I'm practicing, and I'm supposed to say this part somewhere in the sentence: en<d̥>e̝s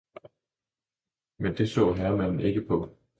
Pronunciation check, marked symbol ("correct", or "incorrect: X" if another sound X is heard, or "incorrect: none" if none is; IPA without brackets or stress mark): correct